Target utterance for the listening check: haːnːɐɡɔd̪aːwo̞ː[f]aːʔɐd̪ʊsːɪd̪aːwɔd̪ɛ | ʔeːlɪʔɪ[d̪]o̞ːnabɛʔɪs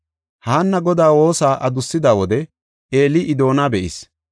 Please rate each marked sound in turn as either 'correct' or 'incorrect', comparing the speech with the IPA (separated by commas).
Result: incorrect, correct